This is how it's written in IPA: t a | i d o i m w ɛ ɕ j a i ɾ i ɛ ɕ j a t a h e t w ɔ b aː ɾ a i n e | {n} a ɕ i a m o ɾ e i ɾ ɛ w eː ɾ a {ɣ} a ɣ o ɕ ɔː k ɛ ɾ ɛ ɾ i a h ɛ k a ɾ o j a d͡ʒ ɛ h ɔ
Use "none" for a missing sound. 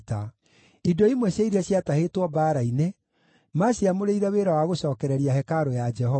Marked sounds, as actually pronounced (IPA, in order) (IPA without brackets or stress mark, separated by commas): m, w